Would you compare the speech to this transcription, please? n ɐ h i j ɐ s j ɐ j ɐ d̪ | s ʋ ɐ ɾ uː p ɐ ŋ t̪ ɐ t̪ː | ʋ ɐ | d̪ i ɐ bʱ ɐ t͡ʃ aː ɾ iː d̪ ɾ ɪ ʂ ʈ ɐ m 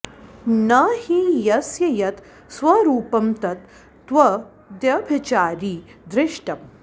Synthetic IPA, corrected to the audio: n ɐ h i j ɐ s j ɐ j ɐ t̪ | s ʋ ɐ ɾ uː p ɐ m t̪ ɐ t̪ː | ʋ ɐ | d̪ j ɐ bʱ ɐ t͡ʃ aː ɾ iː d̪ ɾ ɪ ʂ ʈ ɐ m